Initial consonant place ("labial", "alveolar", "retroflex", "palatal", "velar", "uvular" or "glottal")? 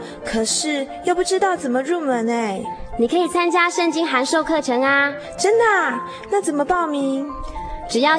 velar